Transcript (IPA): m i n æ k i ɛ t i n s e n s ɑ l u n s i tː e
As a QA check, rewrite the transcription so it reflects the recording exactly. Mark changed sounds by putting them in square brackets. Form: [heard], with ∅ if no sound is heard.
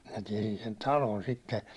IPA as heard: m i n æ [t] i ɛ [s] i n s e n [t] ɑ l [o] n s i tː e